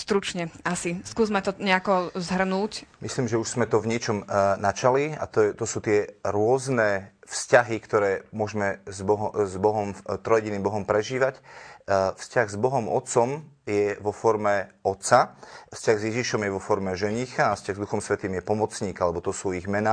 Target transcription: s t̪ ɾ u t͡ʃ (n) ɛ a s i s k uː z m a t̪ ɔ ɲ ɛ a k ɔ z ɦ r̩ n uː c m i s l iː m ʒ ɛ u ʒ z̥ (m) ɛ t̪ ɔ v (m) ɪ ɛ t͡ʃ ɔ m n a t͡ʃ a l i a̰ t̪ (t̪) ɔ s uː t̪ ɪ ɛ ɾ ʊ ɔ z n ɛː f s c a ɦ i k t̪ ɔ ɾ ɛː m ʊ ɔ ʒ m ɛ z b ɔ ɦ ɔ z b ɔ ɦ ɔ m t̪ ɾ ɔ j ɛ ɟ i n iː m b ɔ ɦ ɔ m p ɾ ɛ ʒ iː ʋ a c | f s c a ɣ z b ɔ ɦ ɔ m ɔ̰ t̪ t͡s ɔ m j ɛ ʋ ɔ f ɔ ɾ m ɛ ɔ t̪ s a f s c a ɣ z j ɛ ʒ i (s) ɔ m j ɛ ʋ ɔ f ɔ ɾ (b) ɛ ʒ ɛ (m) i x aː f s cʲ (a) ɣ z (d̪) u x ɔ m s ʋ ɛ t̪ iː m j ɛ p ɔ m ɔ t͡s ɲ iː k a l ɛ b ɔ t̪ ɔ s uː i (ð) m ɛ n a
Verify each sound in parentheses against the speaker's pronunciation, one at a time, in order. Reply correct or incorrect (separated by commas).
incorrect, correct, incorrect, correct, incorrect, incorrect, incorrect, correct, correct, incorrect